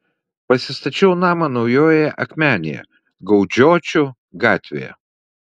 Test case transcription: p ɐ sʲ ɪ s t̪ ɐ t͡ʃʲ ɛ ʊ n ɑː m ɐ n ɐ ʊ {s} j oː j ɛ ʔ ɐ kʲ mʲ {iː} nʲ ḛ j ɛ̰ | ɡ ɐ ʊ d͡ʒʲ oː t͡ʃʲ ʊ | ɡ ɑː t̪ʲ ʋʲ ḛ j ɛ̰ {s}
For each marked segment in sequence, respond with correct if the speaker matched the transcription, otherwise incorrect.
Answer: incorrect, incorrect, incorrect

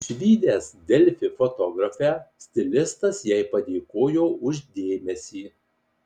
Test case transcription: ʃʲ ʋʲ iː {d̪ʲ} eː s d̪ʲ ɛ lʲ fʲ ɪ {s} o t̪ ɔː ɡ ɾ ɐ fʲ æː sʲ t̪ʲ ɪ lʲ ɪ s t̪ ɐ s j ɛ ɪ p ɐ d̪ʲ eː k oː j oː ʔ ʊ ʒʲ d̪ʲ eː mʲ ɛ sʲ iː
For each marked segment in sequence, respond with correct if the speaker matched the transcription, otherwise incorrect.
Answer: correct, incorrect

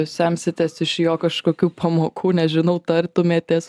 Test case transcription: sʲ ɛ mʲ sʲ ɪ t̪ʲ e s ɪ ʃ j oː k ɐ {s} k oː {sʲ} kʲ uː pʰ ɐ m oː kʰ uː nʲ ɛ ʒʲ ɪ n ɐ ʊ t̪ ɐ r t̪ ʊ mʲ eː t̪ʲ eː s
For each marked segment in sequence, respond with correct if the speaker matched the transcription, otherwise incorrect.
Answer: incorrect, incorrect

